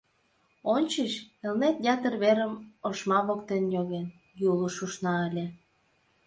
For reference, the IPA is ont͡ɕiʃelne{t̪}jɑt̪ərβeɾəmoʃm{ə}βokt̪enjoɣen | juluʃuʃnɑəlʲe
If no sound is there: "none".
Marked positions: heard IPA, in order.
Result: t̪, ɑ

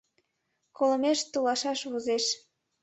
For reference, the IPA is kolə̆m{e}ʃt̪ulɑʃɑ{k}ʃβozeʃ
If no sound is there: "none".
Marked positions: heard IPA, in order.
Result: e, none

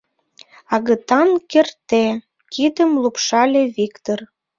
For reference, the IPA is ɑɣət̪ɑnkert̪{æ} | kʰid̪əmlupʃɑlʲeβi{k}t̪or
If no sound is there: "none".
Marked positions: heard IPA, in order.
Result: e, k

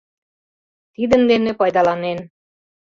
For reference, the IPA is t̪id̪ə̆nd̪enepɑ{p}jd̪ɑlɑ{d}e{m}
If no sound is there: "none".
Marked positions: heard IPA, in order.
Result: none, n, n

